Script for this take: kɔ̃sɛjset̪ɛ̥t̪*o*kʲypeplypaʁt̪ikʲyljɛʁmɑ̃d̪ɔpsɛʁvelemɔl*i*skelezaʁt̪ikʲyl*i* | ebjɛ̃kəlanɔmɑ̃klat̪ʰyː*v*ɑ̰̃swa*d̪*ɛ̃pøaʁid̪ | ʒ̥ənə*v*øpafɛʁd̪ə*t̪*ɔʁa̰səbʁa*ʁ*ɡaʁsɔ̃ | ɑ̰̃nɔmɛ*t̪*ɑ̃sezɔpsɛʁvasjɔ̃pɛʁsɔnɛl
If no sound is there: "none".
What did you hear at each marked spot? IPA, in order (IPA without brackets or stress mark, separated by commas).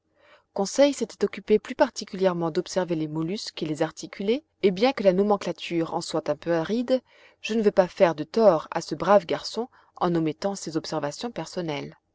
ɔ, y, e, ʁ, t̪, v, t̪, v, t̪